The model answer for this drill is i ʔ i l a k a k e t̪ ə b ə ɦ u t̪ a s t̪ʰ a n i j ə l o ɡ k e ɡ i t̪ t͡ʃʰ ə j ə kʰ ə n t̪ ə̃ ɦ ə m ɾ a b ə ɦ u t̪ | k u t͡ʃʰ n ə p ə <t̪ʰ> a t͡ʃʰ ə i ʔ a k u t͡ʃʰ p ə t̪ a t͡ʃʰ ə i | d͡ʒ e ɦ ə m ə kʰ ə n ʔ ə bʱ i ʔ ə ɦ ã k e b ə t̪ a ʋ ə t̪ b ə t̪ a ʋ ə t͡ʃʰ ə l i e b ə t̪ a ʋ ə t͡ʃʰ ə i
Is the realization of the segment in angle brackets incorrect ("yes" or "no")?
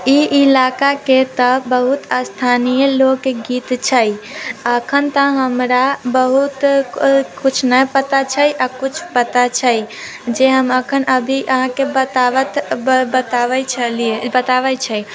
yes